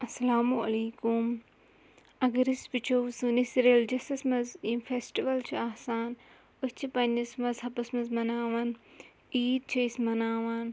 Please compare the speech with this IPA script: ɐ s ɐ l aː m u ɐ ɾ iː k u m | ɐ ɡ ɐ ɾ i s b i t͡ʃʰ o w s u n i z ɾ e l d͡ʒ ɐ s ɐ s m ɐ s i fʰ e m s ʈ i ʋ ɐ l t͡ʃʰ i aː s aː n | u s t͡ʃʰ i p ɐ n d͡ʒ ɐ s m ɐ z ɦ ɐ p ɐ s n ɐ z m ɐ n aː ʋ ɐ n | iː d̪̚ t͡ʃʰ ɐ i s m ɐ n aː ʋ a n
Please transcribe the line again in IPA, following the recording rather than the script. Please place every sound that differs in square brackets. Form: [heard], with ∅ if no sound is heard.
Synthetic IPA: ɐ s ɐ l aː m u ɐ [l] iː k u m | ɐ ɡ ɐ ɾ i s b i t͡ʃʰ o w s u n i [s] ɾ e l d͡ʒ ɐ s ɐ s m ɐ [z] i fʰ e [∅] s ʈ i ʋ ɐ l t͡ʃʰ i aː s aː n | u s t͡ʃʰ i p ɐ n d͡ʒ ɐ s m ɐ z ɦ ɐ p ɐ s [m] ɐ z m ɐ n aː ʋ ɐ n | iː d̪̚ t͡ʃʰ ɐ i s m ɐ n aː ʋ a n